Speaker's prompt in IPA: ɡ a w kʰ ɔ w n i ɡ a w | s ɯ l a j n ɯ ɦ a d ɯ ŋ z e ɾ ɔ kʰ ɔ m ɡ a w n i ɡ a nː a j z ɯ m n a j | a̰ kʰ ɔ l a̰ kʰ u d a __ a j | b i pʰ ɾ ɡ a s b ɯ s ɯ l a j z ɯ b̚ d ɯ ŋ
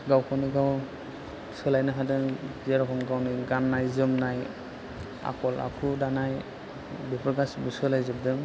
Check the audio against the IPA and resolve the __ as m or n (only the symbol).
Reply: n